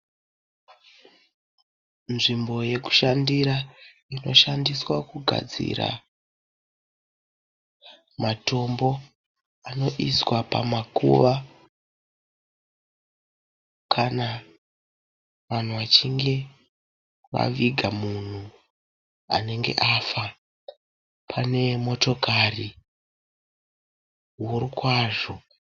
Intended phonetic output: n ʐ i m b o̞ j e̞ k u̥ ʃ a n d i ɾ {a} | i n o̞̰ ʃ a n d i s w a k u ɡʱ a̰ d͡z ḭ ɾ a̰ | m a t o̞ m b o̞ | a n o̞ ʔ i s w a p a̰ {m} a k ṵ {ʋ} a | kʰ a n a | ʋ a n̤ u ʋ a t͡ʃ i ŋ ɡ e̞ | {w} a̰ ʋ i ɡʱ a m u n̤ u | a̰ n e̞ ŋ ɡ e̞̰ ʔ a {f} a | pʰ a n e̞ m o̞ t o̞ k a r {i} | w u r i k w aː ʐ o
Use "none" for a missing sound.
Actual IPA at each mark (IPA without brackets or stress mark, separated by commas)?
a, m, ʋ, ʋ, f, i